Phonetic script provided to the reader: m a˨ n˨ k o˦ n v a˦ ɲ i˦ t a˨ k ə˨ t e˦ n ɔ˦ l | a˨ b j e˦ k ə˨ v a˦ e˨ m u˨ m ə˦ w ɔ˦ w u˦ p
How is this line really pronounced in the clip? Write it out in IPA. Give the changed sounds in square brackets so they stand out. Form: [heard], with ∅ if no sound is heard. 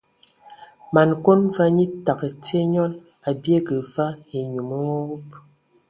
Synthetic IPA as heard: m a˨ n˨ k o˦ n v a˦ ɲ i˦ t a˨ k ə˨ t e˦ [ɲ] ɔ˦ l | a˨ b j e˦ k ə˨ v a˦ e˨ [ɲ] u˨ m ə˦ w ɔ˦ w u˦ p

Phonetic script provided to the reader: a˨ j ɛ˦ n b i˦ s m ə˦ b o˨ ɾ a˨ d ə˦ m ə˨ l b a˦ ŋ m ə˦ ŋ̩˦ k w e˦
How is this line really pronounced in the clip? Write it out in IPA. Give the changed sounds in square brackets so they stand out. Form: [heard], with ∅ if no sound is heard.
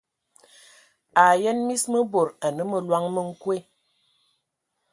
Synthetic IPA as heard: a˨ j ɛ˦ n [m] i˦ s m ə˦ b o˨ ɾ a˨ [n] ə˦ m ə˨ l [w] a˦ ŋ m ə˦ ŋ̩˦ k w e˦

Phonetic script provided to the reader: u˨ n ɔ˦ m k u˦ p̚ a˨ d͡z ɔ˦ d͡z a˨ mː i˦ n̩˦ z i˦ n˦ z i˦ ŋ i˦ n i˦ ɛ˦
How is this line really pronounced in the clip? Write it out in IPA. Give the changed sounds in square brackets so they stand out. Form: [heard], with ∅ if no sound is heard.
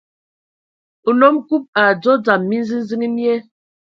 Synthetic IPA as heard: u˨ n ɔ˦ m k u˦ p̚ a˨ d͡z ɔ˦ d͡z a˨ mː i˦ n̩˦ z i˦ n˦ z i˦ ŋ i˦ n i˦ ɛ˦

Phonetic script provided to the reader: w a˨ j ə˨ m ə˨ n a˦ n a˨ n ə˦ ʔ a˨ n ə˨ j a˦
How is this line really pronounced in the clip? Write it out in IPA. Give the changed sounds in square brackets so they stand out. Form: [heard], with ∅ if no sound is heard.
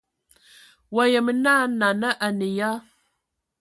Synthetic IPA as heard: w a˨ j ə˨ m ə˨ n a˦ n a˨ n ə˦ ʔ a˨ n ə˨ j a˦

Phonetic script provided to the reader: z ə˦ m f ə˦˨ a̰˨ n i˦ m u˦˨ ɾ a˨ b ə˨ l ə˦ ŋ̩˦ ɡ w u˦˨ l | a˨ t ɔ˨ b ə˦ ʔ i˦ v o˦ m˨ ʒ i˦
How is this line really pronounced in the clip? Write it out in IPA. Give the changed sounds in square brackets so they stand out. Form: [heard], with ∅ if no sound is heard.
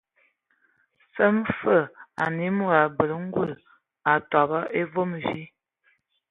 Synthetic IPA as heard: [s] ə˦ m f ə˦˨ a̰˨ n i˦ m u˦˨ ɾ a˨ b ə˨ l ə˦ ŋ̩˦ ɡ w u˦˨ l | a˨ t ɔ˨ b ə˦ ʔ [e˦] v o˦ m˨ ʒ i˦

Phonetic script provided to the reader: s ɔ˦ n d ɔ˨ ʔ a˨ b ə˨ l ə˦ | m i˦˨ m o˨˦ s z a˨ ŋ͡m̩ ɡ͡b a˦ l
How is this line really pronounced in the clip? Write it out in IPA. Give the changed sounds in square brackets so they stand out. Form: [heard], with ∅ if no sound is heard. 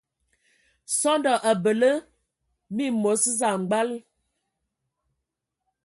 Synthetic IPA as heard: s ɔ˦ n d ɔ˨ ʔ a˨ b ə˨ l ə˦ | m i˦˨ m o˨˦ s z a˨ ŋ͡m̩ ɡ͡b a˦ l

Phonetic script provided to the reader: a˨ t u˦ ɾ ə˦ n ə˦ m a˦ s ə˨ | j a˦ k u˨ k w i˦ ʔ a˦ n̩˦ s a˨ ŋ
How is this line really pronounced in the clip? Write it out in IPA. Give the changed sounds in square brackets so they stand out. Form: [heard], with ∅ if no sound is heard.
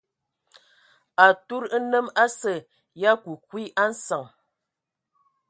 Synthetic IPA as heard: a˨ t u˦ ɾ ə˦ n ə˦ m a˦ s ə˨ | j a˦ k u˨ k w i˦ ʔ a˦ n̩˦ s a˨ ŋ

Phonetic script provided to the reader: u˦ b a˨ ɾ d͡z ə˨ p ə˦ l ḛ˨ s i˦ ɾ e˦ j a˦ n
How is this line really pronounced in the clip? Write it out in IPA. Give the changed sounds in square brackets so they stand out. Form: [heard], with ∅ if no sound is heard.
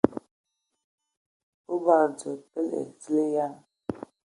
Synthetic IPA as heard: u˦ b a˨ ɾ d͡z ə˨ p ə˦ l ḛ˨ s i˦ [l] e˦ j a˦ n

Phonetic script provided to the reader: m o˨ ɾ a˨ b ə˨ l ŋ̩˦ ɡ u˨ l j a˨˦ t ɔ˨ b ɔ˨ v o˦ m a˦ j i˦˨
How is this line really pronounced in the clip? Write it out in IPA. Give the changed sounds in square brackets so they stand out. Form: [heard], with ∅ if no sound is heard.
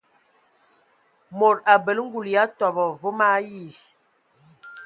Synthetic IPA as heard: m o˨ ɾ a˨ b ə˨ l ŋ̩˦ ɡ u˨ l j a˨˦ t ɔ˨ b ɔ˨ v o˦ m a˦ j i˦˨

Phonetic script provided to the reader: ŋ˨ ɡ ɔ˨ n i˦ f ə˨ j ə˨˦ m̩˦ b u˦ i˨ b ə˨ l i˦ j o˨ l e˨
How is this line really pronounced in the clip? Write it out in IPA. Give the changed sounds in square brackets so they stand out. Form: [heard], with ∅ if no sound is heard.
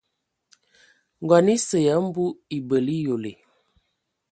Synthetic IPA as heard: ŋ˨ ɡ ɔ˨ n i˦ [s] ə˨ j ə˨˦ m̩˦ b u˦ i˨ b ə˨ l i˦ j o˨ l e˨

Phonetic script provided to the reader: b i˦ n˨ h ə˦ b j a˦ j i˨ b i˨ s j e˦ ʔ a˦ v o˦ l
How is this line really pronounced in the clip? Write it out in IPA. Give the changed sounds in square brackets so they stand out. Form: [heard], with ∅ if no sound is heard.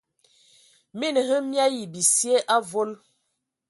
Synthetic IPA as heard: [m] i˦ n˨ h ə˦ [m] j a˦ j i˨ b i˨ s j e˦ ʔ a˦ v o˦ l

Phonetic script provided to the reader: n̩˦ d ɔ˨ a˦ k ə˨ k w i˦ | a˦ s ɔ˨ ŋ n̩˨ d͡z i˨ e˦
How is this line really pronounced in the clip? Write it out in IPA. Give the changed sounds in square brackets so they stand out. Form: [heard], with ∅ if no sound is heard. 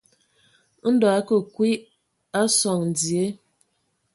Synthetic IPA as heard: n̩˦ d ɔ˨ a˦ k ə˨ k w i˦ | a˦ s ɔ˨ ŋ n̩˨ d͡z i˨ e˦

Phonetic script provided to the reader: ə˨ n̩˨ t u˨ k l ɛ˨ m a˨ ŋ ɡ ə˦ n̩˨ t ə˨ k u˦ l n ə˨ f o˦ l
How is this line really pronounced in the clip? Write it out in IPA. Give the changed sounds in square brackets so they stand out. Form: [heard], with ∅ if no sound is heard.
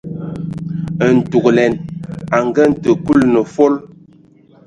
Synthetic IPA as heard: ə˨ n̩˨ t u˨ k l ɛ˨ [n] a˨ ŋ ɡ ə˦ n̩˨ t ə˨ k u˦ l n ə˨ f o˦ l

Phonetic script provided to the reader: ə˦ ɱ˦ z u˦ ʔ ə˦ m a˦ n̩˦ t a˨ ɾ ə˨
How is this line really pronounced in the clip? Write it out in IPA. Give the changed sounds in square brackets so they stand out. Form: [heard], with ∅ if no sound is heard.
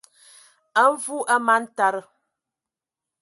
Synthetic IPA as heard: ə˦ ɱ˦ [v] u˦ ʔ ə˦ m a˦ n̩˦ t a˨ ɾ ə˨

